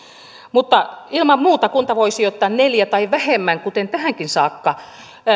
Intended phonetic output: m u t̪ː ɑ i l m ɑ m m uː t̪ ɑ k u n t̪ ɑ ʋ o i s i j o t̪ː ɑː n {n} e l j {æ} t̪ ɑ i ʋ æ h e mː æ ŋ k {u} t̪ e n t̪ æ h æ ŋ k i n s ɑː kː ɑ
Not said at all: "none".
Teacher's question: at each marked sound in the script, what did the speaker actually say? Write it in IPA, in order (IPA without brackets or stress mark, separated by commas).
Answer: n, æ, u